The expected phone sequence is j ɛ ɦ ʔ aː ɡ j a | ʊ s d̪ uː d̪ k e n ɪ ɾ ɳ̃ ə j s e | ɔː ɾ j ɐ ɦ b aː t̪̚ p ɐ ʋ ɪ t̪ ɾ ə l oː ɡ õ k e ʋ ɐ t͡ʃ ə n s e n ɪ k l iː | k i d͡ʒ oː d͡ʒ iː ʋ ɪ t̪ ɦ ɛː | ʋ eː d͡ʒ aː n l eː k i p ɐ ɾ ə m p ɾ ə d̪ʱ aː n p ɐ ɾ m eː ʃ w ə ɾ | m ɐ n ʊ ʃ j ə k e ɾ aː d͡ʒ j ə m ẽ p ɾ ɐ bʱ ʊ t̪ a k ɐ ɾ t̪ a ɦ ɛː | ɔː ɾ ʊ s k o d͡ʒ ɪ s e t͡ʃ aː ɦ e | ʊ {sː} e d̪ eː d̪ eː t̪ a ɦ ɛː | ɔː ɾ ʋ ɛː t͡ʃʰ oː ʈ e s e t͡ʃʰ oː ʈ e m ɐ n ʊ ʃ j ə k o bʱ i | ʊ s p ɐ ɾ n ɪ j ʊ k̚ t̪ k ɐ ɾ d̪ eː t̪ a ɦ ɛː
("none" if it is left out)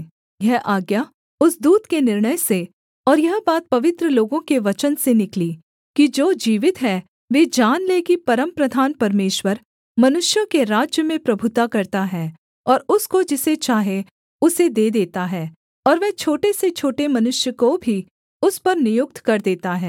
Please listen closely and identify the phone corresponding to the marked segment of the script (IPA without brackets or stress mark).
s